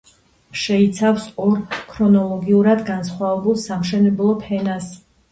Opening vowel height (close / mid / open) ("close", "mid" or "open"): mid